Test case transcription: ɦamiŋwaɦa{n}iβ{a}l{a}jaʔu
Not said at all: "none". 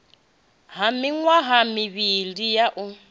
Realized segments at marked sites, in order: m, i, i

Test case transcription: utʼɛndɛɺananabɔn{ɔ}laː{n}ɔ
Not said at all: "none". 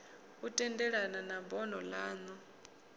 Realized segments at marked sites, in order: ɔ, n

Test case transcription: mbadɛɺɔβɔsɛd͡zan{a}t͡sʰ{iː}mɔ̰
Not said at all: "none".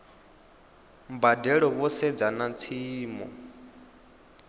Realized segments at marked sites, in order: a, iː

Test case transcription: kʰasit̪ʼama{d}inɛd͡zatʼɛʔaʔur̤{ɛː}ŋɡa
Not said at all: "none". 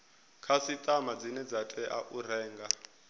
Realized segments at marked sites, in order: d͡z, ɛː

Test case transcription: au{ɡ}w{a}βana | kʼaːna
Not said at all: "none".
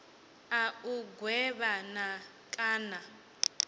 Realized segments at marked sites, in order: ɡ, ɛ

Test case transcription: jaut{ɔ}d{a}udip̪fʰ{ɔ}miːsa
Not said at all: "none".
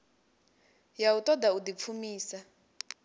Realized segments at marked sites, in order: ɔ, a, u

